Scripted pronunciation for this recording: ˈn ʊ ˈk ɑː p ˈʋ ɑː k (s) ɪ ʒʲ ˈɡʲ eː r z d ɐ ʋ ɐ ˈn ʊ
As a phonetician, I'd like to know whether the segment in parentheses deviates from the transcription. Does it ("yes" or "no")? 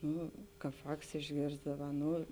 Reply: no